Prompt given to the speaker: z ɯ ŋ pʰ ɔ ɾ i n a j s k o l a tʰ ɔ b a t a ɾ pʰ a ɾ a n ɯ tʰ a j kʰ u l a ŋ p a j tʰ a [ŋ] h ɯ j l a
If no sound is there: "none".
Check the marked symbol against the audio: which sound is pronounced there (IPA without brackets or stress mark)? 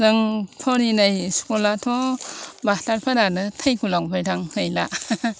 ŋ